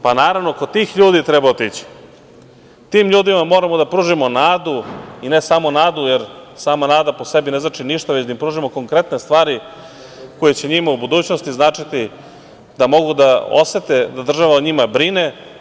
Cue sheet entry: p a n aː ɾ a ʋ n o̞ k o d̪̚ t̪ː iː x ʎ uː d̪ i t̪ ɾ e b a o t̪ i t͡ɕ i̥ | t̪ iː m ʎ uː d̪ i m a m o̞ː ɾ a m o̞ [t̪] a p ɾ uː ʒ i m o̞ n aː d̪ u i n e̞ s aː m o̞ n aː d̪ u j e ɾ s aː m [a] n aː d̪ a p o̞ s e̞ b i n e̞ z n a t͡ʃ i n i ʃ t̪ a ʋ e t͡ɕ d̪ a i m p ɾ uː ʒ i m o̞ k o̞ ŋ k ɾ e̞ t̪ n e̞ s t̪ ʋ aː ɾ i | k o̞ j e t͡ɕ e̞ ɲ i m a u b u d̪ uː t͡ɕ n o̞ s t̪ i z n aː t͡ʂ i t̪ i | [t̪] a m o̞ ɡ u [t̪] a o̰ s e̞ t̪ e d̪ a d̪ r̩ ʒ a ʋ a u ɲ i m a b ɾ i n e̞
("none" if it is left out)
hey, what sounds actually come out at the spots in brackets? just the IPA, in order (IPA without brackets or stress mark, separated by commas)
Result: d̪, a, d̪, d̪